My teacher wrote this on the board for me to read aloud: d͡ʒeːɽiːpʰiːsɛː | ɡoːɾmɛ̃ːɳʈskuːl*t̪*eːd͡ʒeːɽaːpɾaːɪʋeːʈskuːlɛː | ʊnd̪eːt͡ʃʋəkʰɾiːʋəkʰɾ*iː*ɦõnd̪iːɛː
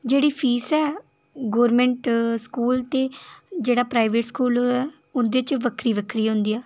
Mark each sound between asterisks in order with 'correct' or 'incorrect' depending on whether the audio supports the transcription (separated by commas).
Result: correct, correct